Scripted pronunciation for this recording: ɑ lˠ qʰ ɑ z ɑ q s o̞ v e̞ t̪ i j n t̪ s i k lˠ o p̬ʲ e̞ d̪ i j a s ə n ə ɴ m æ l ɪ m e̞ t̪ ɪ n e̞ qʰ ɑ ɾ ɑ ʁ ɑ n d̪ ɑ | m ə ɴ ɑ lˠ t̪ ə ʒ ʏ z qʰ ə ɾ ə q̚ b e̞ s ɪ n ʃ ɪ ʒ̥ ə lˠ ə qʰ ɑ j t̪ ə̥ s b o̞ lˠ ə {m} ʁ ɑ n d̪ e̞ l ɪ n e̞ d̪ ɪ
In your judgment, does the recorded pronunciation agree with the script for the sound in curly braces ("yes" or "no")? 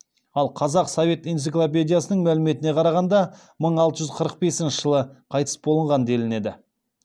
no